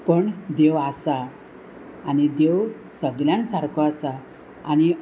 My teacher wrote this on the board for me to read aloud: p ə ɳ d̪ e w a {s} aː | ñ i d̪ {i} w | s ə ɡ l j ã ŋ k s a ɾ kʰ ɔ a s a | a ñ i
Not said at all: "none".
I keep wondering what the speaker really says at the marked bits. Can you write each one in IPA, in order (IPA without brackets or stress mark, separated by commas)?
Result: s, e